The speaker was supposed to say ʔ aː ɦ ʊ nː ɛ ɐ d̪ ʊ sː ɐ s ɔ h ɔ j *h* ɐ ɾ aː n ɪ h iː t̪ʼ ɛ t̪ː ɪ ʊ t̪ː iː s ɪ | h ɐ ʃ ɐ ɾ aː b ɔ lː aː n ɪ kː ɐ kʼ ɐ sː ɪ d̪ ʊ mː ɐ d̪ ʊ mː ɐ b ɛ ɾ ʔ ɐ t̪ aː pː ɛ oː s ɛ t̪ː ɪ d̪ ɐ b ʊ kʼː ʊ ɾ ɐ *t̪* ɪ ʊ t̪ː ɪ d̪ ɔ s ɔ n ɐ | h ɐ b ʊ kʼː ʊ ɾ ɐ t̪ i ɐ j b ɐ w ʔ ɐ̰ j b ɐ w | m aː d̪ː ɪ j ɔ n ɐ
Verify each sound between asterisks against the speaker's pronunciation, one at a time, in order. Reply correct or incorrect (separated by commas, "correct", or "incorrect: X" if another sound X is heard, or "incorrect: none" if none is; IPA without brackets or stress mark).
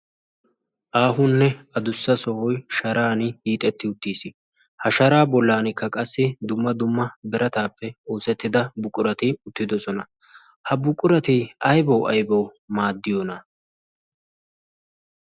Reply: incorrect: ʃ, correct